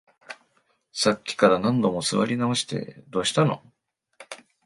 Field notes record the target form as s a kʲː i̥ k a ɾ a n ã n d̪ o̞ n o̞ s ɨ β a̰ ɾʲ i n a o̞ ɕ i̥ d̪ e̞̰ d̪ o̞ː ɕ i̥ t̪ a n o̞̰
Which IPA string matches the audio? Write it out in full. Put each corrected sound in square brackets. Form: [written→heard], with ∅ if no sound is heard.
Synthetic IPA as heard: s a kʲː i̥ k a ɾ a n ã n d̪ o̞ [n→m] o̞ s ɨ β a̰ ɾʲ i n a o̞ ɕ i̥ [d̪→t̪] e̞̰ d̪ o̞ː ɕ i̥ t̪ a n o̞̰